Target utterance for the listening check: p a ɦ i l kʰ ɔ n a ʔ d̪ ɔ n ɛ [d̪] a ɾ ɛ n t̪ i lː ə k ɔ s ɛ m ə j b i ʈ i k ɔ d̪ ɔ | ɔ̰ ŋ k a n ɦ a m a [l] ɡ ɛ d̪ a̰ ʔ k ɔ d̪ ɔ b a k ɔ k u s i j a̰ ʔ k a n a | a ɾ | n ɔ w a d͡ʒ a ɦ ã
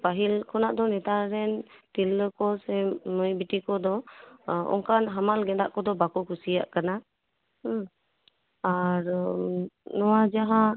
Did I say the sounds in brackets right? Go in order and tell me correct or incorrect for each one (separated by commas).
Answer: incorrect, correct